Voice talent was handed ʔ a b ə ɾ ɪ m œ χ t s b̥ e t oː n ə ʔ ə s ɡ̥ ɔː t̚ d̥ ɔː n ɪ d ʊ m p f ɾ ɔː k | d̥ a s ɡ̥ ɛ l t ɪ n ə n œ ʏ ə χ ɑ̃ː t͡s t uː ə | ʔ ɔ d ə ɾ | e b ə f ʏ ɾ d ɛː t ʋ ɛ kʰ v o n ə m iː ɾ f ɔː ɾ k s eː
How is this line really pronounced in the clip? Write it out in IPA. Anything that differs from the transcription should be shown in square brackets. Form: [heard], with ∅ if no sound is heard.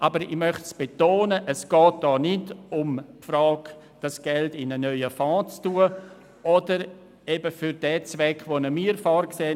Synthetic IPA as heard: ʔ a b ə ɾ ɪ m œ χ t s b̥ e t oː n ə ʔ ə s ɡ̥ ɔː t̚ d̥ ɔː n ɪ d ʊ m p f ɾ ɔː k | d̥ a s ɡ̥ ɛ l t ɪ n ə n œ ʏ ə [f] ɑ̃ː t͡s t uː ə | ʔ ɔ d ə ɾ | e b ə f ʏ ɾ d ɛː [t͡s] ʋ ɛ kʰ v o n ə m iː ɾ f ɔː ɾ k s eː

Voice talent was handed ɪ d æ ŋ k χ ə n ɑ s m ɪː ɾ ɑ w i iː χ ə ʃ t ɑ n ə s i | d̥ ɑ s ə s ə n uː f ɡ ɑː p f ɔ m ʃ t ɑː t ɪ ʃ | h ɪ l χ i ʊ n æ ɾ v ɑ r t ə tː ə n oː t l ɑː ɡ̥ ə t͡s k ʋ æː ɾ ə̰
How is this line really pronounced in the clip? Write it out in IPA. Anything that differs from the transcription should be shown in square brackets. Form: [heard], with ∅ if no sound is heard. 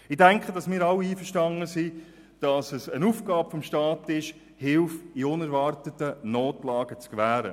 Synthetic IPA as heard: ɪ d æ ŋ k χ ə [d] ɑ s m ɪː ɾ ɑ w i iː [f] ə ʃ t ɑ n ə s i | d̥ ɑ s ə s ə n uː f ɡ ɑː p f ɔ m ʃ t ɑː t ɪ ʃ | h ɪ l [f] i ʊ n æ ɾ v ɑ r t ə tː ə n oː t l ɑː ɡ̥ ə t͡s k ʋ æː ɾ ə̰

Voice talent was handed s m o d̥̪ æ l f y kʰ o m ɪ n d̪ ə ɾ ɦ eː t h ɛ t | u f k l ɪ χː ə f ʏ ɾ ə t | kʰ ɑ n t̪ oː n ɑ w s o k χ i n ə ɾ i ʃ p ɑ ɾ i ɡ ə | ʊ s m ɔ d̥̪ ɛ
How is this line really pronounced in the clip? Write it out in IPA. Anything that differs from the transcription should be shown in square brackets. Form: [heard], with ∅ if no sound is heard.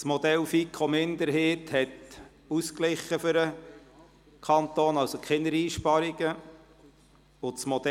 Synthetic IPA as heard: s m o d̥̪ [ɛ] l f [i] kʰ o m ɪ n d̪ ə ɾ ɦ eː t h ɛ t | u [s] k l ɪ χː ə f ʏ ɾ ə [∅] | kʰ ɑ n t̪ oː n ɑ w s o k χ [ɪ] n ə ɾ [iː] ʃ p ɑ ɾ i ɡ ə | ʊ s m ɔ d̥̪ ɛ

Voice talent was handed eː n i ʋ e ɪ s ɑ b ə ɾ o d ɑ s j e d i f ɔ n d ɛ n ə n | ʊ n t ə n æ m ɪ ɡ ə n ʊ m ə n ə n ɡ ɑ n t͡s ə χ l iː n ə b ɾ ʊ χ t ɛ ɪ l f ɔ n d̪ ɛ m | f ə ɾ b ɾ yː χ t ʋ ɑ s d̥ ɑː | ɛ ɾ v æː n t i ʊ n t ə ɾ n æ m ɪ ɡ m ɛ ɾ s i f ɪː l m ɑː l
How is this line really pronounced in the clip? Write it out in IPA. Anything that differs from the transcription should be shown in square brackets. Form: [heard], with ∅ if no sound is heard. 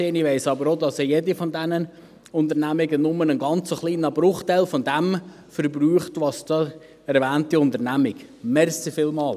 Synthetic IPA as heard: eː n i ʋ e ɪ s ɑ b ə ɾ o d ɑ s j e d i f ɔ n d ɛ n ə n | ʊ n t ə n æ m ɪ ɡ ə n ʊ m ə n ə n ɡ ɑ n t͡s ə χ l iː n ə b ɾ ʊ χ t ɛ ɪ l f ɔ n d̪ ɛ m | f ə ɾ b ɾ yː χ t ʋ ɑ s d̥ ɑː | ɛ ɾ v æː n t i ʊ n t ə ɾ n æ m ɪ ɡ m ɛ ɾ s i f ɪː l m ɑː l

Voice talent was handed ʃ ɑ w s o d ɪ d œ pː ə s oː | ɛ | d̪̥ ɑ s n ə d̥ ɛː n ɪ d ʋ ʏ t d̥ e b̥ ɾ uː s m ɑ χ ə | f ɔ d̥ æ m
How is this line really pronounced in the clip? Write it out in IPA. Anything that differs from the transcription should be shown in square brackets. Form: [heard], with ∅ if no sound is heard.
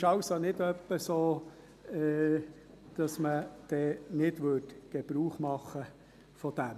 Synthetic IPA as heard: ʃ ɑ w s o [n] ɪ d œ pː ə s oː | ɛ | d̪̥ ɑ s [m] ə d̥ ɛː n ɪ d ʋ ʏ t [ɡ̥] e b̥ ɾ uː [χ] m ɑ χ ə | f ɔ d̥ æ m

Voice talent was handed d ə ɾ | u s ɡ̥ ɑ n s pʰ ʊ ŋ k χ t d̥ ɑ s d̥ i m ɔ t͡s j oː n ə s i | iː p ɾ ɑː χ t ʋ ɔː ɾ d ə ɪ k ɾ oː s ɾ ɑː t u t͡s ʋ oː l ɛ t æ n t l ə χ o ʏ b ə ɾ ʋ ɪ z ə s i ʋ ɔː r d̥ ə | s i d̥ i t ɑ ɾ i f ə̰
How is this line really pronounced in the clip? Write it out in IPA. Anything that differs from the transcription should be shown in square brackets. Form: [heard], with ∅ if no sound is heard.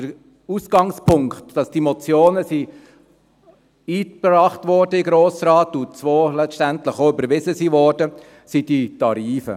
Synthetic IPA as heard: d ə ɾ | u s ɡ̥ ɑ [ŋ] s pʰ ʊ ŋ k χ t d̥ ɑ s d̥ i m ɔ t͡s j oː n ə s i | iː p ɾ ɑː χ t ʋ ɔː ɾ d ə ɪ [ɡ] ɾ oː s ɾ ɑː t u t͡s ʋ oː l ɛ t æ n t l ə χ o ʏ b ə ɾ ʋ ɪ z ə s i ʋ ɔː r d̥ ə | s i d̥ i t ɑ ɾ [iː] f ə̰

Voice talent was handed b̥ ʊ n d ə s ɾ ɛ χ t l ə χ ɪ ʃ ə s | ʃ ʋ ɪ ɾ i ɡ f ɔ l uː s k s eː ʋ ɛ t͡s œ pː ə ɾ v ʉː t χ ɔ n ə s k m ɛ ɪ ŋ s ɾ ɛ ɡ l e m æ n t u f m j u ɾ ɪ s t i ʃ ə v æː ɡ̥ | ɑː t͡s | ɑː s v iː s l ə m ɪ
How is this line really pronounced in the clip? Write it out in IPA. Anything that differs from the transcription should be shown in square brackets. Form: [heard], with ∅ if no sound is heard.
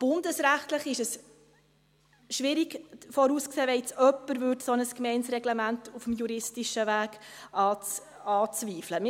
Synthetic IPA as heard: b̥ ʊ n d ə s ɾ [æ] χ t l ə χ ɪ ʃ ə s | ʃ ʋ ɪ ɾ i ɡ f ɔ [ɾ] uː s k s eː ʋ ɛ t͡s œ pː ə ɾ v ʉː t [s] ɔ n ə s k m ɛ ɪ [n] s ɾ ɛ ɡ l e m æ n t u f m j u ɾ ɪ s t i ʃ ə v æː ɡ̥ | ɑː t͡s | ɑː [t͡s] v iː [f] l ə m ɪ

